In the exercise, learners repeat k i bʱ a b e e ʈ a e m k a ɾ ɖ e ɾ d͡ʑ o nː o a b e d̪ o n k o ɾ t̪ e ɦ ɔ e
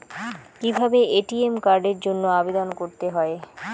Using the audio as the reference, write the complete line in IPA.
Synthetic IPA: k i bʱ a b e e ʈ i e m k a ɾ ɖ e ɾ d͡ʑ o nː o a b e d̪ o n k o ɾ t̪ e ɦ ɔ e